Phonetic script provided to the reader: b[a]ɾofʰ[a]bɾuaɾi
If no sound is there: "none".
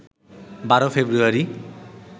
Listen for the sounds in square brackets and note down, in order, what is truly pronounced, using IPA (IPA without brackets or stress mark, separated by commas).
a, e